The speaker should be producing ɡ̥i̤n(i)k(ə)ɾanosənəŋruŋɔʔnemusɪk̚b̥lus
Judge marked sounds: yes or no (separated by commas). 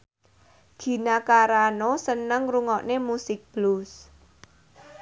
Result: no, no